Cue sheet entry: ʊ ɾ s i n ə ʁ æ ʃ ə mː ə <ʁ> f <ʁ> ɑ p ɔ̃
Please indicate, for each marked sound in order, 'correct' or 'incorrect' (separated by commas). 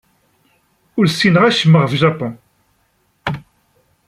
correct, incorrect